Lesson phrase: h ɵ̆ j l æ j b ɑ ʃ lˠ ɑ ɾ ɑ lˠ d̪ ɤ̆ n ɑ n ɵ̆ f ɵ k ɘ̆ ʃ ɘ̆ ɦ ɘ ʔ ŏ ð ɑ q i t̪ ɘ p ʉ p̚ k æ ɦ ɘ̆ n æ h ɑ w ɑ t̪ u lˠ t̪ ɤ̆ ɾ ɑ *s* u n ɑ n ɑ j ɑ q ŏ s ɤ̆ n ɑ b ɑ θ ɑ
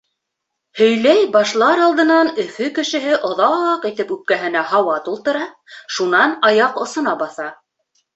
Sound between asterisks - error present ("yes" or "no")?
yes